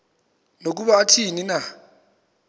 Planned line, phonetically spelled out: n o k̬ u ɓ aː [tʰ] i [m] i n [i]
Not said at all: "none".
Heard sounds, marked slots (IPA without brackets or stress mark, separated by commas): tʰ, n, a